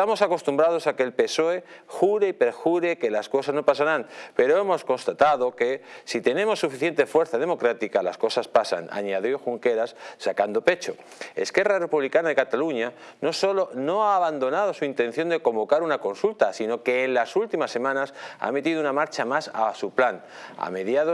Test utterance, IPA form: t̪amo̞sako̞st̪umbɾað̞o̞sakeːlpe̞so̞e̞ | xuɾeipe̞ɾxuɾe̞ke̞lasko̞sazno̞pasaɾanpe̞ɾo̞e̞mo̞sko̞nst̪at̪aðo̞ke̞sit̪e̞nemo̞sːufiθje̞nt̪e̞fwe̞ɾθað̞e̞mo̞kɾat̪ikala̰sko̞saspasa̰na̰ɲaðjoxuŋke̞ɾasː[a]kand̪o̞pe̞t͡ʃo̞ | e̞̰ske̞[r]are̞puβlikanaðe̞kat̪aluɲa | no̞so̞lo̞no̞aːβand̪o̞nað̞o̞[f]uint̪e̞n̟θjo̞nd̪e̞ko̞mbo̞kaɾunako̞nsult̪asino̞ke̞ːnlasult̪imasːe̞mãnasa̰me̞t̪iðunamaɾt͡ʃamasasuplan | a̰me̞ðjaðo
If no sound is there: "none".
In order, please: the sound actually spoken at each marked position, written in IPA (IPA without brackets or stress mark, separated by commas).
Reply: a, r, s